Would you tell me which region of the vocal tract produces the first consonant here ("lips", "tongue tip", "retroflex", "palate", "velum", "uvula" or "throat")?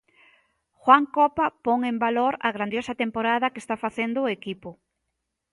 velum